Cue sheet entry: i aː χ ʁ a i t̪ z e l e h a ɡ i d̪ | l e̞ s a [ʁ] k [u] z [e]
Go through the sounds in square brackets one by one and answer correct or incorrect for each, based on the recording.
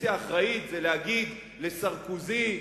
correct, correct, incorrect

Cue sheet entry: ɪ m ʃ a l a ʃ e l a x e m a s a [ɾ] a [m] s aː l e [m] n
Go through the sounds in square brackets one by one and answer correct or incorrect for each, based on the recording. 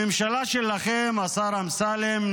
correct, correct, correct

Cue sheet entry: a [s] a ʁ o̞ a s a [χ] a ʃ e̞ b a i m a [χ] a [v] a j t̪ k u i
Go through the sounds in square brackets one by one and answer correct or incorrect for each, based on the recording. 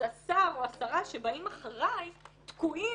correct, incorrect, correct, incorrect

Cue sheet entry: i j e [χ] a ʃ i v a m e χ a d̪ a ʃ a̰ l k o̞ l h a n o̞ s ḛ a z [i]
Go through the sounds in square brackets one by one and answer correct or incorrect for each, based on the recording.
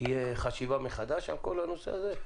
correct, incorrect

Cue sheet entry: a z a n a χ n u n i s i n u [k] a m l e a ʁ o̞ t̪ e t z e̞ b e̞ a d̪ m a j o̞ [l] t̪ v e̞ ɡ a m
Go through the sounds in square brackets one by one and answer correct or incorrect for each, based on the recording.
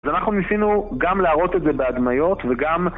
incorrect, incorrect

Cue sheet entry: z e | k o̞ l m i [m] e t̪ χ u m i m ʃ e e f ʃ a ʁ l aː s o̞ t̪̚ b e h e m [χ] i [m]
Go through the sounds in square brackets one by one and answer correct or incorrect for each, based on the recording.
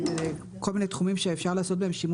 incorrect, incorrect, correct

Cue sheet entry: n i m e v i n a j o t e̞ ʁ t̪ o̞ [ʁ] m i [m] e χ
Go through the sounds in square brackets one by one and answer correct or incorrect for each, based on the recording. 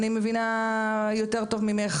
incorrect, correct

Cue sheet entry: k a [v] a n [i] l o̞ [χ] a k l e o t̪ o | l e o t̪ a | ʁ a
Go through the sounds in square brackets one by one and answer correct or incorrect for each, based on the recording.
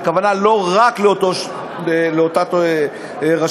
correct, incorrect, incorrect

